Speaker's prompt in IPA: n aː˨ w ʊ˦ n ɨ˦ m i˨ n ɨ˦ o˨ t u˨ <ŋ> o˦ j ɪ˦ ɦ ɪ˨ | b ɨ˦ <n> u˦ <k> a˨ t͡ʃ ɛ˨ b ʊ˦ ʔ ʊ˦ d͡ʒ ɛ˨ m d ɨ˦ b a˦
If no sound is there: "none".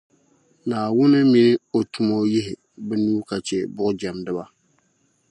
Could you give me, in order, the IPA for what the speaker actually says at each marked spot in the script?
m, n, k

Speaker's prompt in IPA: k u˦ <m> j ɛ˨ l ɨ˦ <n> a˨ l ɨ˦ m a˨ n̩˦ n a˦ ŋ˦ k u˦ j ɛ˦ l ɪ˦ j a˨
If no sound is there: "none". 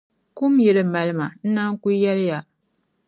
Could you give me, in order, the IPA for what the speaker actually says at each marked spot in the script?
m, m

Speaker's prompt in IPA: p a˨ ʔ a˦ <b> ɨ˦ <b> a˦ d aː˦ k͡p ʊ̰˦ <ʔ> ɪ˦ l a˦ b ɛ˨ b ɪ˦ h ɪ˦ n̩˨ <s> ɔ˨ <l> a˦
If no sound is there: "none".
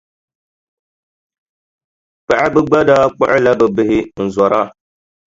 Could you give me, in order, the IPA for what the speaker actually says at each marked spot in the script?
b, ɡ͡b, ʔ, z, ɾ

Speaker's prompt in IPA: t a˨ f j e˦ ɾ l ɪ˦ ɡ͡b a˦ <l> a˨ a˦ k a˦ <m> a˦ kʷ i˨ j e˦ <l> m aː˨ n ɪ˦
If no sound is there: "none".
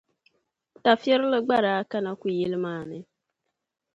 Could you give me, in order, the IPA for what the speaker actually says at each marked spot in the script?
ɾ, n, l

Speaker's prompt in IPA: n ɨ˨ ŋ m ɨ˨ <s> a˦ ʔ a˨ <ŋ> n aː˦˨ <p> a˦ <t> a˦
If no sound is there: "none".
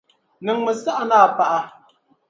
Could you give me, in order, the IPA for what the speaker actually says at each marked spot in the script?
s, none, p, ʔ

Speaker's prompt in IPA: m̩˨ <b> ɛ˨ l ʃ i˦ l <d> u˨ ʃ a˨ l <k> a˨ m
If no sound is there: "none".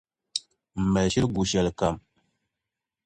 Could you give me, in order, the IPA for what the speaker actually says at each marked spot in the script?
m, ɡ, k

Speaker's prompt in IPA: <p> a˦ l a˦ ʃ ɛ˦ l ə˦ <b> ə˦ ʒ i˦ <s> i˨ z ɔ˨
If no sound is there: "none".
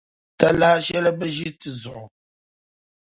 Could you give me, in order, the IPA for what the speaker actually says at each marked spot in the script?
t, b, t

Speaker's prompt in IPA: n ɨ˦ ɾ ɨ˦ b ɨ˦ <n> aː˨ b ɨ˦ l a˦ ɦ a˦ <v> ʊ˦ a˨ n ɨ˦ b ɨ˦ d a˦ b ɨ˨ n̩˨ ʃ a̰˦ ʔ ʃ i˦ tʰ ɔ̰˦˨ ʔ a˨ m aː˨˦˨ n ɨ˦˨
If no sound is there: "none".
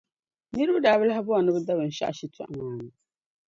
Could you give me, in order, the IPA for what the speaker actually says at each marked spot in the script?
d, b

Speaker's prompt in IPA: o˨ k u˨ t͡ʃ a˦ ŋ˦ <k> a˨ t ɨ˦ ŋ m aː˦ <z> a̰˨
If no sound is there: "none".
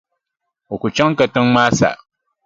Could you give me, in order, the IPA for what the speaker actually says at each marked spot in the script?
k, s

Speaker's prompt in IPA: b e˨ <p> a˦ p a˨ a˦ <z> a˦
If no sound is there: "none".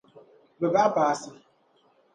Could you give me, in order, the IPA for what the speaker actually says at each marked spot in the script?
b, s

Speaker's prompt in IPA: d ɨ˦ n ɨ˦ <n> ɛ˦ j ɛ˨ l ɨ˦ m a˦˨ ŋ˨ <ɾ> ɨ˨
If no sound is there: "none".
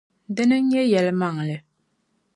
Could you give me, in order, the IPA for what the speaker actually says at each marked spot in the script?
ɲ, l

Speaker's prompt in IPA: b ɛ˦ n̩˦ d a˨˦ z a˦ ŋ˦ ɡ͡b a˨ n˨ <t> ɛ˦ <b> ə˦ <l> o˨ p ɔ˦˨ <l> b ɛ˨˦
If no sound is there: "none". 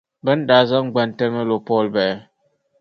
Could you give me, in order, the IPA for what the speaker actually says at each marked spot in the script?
t, m, l, l

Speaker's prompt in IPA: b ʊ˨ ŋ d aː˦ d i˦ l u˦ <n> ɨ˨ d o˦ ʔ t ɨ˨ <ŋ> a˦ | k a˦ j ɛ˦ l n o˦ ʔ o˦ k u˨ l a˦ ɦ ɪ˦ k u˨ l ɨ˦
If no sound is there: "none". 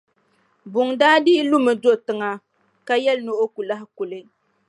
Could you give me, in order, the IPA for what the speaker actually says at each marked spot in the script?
m, ŋ

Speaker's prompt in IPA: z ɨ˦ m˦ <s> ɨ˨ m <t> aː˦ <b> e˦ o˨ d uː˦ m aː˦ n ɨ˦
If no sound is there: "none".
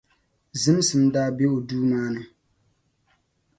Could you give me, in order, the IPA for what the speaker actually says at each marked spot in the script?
s, d, b

